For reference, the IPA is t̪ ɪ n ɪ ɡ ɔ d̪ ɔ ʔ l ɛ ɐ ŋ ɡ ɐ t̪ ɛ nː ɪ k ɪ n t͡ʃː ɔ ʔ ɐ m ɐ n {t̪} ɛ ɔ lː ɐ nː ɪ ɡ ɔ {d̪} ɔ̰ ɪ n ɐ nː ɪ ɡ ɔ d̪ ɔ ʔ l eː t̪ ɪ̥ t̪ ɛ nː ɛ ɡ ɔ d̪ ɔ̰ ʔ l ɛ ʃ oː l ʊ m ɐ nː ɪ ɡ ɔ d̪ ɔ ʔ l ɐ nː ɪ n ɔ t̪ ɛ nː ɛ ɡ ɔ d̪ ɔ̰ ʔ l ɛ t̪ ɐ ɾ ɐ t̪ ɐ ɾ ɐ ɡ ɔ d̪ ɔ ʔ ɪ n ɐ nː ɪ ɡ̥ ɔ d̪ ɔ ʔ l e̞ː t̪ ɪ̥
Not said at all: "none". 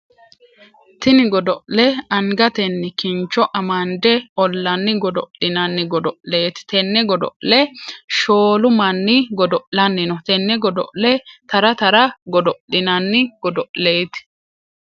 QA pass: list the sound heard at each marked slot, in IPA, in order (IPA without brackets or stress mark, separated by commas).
d̪, d̪